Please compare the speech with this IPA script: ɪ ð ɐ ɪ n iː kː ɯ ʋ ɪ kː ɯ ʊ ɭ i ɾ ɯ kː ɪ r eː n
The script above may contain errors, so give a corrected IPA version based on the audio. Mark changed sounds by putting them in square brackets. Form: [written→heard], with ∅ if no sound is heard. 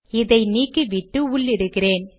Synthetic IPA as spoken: ɪ ð ɐ ɪ n iː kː ɯ ʋ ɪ [kː→ʈː] ɯ ʊ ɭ [i→ɪ] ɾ ɯ kː ɪ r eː n